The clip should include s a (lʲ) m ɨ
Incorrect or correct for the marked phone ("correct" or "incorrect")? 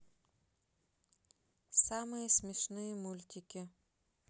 incorrect